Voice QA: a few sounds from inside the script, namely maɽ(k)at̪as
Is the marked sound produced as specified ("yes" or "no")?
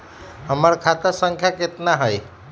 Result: no